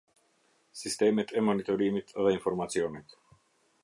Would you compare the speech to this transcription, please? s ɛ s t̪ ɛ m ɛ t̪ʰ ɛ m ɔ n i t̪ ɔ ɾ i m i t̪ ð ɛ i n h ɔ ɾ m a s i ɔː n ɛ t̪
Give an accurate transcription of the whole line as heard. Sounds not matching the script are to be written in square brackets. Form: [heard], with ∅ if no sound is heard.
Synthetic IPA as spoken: s [i] s t̪ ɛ m ɛ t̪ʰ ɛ m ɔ n i t̪ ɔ ɾ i m i t̪ ð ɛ i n [f] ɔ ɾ m a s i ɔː n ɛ t̪